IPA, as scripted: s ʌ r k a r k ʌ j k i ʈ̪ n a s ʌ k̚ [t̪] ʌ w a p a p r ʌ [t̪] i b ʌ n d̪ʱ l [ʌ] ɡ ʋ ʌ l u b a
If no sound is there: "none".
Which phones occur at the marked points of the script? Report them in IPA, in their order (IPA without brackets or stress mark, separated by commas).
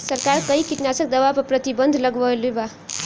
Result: d̪, t̪, ʌ